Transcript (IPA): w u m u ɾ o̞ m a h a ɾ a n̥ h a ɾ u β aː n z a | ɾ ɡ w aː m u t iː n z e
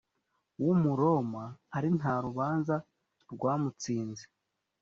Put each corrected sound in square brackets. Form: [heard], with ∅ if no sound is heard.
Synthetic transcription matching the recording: w u m u ɾ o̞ m a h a ɾ [i] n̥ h a ɾ u β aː n z a | ɾ ɡ w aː m u [t͡s] iː n z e